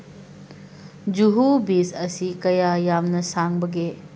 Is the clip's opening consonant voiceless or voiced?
voiced